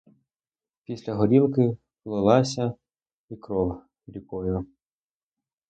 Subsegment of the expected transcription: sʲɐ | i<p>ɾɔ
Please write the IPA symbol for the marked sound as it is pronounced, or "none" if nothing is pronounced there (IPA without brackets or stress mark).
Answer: k